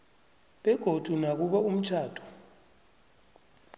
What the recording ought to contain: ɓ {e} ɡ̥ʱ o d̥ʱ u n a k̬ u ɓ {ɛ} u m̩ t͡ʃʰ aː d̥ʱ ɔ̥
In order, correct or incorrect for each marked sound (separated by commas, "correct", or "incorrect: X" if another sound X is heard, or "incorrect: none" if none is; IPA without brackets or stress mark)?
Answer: incorrect: ɛ, incorrect: a